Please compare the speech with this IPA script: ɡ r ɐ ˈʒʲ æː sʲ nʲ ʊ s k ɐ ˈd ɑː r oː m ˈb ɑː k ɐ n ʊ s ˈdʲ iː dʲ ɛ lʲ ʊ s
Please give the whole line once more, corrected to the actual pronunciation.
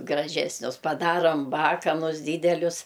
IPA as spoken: ɡ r ɐ ˈʒʲ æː sʲ nʲ ʊ s p ɐ ˈd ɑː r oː m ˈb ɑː k ɐ n ʊ s ˈdʲ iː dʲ ɛ lʲ ʊ s